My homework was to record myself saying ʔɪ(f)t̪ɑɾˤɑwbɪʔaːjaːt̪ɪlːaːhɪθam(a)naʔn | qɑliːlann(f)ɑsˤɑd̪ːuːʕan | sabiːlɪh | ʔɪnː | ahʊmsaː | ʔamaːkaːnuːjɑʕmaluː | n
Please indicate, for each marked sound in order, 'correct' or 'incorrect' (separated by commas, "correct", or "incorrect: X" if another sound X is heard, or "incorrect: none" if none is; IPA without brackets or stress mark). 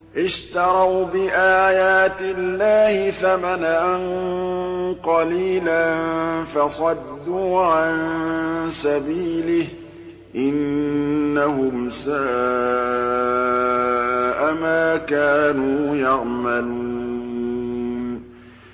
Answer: incorrect: ʃ, correct, correct